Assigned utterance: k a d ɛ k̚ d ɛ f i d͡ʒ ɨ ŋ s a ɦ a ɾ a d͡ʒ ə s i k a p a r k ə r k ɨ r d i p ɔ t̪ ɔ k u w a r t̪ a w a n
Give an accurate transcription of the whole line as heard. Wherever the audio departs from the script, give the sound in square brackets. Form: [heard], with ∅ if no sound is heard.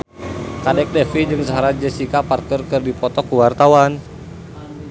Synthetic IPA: k a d ɛ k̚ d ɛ f i d͡ʒ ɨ ŋ s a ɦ a ɾ a d͡ʒ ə s i k a p a r k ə r k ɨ r d i p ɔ t̪ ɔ k u w a r t̪ a w a n